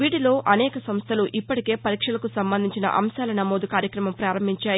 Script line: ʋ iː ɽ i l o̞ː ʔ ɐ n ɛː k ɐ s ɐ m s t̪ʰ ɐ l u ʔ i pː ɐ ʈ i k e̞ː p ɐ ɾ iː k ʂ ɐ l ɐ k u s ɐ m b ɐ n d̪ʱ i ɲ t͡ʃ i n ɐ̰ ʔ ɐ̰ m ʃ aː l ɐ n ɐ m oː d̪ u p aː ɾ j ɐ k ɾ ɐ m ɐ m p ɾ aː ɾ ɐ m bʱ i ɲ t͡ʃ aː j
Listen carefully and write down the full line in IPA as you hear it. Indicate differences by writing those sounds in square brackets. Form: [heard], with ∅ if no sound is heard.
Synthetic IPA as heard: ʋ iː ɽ i l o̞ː ʔ ɐ n ɛː k ɐ s ɐ m s t̪ʰ ɐ l u ʔ i pː ɐ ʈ i k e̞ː p ɐ ɾ iː k ʂ ɐ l ɐ k u s ɐ m b ɐ n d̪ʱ i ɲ t͡ʃ i n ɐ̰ ʔ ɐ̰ m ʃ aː l ɐ n ɐ m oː d̪ u [k] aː ɾ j ɐ k ɾ ɐ m ɐ m p ɾ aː ɾ ɐ m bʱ i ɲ t͡ʃ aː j